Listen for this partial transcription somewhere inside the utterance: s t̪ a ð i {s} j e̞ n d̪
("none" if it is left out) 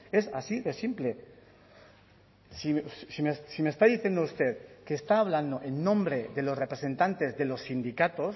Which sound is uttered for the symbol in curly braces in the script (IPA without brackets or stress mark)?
θ